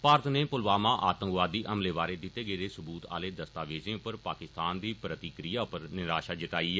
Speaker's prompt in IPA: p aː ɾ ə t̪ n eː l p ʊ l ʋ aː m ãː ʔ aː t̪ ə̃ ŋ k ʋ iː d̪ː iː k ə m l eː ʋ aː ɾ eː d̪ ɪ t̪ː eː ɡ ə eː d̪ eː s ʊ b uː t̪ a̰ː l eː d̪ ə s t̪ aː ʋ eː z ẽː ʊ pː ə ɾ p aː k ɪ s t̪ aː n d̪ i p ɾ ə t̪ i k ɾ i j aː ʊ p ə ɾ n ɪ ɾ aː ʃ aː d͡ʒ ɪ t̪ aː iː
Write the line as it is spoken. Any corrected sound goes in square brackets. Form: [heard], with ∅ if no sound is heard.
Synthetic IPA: p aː ɾ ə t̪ n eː [∅] p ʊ l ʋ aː m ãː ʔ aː t̪ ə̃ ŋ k ʋ [aː] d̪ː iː [ʔ] ə m l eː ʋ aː ɾ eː d̪ ɪ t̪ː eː ɡ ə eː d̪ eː s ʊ b uː t̪ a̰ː l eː d̪ ə s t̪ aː ʋ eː z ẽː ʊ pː ə ɾ p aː k ɪ s t̪ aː n d̪ [iː] p ɾ ə t̪ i k ɾ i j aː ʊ p ə ɾ n ɪ ɾ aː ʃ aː d͡ʒ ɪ t̪ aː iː